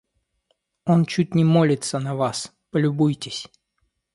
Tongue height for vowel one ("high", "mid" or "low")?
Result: mid